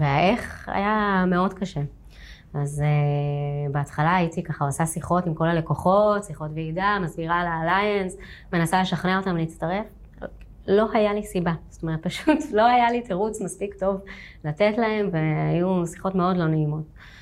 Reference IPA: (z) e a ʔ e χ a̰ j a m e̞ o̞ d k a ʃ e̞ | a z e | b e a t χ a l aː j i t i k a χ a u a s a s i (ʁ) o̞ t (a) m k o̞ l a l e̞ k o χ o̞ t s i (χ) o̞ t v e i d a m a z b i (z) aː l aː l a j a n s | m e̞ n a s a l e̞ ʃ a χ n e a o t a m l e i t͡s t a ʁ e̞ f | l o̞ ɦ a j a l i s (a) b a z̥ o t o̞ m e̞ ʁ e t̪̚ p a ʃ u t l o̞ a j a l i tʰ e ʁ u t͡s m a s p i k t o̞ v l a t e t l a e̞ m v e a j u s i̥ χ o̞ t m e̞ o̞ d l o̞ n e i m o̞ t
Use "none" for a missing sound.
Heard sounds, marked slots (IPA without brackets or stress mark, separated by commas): v, χ, i, χ, ʁ, i